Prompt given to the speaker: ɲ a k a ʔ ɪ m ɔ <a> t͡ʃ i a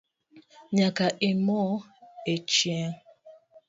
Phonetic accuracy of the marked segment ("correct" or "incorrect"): incorrect